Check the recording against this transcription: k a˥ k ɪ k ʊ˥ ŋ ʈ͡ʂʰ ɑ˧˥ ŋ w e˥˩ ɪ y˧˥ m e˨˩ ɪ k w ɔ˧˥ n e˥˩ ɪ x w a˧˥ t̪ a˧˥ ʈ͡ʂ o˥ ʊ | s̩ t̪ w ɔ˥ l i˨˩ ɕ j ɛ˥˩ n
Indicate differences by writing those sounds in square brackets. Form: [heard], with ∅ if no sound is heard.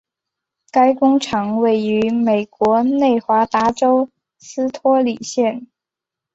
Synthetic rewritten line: k a˥ [∅] ɪ k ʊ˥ ŋ ʈ͡ʂʰ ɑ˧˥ ŋ w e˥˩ ɪ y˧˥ m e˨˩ ɪ k w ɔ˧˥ n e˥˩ ɪ x w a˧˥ t̪ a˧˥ ʈ͡ʂ o˥ ʊ | s̩ [t̪ʰ] w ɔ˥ l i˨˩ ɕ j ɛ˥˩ n